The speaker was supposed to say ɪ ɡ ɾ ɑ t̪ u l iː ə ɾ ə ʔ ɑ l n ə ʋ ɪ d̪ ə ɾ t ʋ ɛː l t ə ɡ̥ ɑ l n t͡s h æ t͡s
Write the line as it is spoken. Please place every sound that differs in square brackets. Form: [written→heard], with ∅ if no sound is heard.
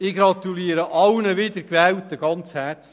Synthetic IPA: ɪ ɡ ɾ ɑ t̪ u l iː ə ɾ ə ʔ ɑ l n ə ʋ ɪ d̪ ə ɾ [t→k] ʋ ɛː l t ə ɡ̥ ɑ [l→∅] n t͡s h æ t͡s